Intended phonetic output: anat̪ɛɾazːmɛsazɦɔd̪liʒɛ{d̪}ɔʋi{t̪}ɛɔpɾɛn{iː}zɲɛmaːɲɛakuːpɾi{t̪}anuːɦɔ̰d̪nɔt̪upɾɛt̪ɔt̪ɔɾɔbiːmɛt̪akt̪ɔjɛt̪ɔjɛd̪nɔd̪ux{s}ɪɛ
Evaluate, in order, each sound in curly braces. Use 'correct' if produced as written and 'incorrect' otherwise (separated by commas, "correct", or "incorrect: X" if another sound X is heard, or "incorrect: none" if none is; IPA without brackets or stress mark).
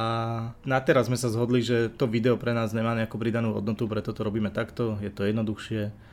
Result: incorrect: t̪, incorrect: d̪, incorrect: aː, incorrect: d̪, incorrect: ʃ